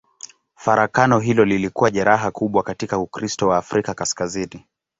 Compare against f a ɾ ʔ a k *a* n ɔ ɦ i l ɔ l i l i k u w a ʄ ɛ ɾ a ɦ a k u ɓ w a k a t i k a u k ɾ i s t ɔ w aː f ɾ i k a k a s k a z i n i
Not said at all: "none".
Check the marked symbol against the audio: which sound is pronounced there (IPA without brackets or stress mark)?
a